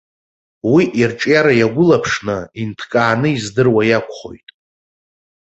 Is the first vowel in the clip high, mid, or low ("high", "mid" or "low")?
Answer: high